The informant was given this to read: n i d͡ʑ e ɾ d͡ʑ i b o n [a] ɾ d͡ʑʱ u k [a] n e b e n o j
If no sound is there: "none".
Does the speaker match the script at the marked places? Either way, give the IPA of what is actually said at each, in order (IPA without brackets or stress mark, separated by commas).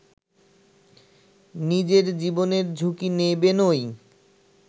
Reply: e, i